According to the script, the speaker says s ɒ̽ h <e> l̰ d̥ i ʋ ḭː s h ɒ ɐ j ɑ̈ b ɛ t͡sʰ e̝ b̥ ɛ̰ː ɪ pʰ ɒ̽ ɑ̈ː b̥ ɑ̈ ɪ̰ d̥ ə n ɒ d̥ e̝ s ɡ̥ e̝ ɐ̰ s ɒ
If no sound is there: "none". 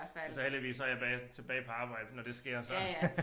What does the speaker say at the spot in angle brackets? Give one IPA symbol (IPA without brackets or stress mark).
e